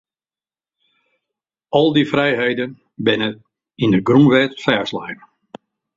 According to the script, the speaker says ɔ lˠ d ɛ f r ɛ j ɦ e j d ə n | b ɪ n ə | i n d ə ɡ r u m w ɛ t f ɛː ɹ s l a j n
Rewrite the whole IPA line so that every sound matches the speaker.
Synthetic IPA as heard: ɔ lˠ d i f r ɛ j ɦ e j d ə n | b ɪ n ə | i n d ə ɡ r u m ʋ ɛ t f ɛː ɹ s l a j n